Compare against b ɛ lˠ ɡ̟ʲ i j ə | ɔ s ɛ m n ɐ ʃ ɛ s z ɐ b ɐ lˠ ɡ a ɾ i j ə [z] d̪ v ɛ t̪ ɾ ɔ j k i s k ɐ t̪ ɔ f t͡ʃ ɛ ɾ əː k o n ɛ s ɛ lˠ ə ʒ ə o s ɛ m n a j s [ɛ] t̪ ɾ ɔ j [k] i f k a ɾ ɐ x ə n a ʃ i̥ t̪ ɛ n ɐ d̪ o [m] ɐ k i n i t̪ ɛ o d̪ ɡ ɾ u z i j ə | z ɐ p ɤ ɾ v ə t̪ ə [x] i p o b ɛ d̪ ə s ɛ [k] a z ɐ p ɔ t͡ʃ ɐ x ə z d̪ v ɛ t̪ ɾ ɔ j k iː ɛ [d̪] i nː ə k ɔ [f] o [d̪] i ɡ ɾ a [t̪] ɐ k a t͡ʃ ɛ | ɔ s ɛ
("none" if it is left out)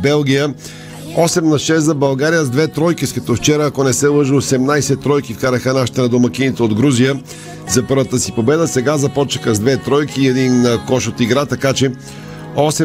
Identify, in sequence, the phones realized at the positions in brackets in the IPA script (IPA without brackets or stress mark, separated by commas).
z, ɛ, k, m, s, ɡ, d̪, ʃ, t̪, t̪